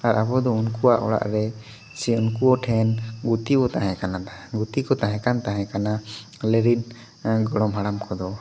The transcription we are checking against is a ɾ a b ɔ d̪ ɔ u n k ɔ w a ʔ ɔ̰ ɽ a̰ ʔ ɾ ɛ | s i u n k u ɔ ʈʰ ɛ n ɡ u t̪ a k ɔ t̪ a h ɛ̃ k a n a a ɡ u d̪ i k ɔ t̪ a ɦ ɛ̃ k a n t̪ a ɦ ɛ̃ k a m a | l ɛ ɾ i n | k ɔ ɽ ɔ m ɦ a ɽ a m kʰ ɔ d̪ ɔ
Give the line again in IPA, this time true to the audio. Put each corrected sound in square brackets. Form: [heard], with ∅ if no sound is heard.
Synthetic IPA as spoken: a ɾ a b ɔ d̪ ɔ u n k [u] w a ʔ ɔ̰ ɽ a̰ ʔ ɾ ɛ | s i u n k u ɔ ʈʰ ɛ n ɡ u t̪ [i] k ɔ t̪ a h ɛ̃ k a n a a ɡ u [t̪] i k ɔ t̪ a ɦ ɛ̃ k a n t̪ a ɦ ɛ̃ k a [n] a | l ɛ ɾ i n | [ɡ] ɔ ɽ ɔ m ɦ a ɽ a m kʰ ɔ d̪ ɔ